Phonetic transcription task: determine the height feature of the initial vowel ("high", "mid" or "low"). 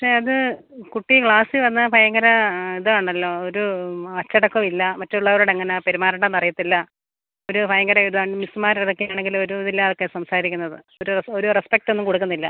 low